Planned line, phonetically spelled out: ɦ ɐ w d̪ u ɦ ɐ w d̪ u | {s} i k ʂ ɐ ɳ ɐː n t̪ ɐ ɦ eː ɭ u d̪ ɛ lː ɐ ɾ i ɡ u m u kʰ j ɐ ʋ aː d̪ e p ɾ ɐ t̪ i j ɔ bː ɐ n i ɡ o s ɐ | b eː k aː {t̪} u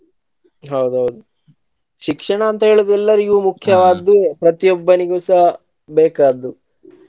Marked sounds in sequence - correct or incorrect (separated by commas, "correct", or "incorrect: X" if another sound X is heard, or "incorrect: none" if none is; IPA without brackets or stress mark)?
incorrect: ʃ, incorrect: d̪